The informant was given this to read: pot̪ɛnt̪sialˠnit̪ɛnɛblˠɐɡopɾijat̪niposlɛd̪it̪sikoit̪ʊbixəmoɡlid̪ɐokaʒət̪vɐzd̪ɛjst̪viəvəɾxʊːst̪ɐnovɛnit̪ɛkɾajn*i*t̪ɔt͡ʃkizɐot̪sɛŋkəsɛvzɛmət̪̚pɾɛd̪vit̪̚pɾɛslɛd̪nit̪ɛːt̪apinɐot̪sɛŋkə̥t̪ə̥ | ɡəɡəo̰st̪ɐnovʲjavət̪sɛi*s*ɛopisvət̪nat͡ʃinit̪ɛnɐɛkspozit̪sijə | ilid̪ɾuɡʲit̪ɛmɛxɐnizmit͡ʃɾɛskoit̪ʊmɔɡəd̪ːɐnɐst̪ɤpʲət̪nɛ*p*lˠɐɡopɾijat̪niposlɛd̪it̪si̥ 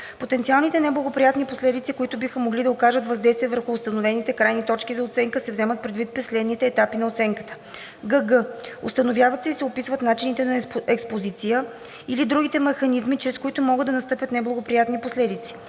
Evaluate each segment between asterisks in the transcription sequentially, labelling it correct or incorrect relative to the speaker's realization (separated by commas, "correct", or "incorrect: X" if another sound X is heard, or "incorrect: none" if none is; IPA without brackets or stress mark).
correct, correct, incorrect: b